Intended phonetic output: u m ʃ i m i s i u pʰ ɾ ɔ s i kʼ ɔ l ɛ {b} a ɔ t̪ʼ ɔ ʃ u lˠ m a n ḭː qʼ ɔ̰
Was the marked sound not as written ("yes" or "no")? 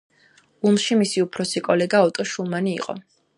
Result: yes